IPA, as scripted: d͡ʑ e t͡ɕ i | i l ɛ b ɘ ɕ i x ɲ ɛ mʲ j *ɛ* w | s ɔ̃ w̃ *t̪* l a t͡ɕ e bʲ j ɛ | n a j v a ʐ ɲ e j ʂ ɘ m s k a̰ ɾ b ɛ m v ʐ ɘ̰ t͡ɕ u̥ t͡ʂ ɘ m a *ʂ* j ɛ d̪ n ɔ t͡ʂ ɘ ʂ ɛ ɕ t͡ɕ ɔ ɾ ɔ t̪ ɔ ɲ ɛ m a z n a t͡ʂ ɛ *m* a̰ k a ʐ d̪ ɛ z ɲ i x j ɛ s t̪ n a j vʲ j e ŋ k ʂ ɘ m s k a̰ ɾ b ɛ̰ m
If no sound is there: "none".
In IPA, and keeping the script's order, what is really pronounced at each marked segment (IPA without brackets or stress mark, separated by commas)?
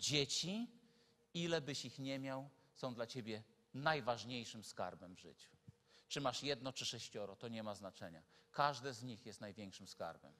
a, d̪, ʂ, ɲ